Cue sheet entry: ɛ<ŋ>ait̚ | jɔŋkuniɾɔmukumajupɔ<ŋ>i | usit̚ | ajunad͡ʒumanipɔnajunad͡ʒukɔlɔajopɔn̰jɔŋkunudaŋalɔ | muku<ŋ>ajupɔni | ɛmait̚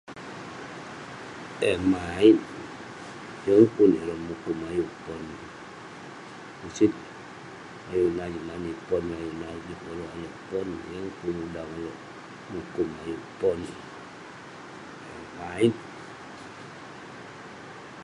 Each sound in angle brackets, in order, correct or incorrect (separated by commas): incorrect, incorrect, incorrect